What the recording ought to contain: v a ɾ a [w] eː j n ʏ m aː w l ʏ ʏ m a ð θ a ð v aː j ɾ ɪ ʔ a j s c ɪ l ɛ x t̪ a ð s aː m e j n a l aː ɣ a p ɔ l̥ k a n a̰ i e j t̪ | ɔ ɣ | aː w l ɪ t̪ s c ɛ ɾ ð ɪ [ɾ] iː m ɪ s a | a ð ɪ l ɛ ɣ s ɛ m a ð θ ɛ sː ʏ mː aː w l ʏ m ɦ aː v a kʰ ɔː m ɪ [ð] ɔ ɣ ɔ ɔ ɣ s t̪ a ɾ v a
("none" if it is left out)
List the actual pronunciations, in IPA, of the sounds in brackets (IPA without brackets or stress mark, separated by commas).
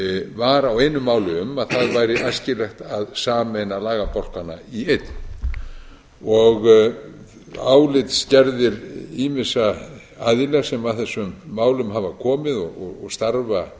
w, ɾ, ð